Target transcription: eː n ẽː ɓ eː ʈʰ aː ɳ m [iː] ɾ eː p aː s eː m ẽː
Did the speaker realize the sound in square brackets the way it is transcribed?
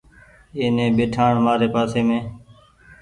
no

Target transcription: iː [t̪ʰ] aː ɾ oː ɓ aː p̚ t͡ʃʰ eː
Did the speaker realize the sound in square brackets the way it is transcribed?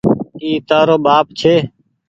no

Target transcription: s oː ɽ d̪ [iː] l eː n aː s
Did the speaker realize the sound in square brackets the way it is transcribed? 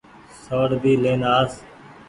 yes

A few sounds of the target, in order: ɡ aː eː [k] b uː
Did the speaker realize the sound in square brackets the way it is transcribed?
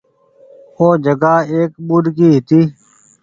yes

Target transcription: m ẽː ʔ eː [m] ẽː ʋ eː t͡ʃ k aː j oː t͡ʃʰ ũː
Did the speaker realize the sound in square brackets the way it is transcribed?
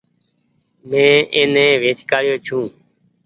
no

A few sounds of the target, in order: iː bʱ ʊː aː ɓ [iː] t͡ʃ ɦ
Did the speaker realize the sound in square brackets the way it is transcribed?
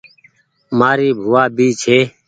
yes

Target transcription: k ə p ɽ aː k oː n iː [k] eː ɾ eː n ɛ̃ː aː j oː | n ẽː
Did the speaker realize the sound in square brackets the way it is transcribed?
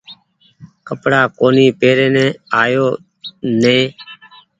no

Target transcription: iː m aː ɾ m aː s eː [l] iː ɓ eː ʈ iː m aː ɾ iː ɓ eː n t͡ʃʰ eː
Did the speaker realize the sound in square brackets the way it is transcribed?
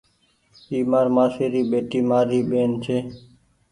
no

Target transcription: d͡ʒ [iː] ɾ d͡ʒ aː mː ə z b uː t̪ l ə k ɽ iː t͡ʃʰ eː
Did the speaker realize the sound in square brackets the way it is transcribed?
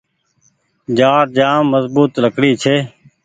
no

